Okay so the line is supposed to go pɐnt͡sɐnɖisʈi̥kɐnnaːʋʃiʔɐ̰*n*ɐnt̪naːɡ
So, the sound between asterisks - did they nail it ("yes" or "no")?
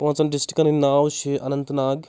yes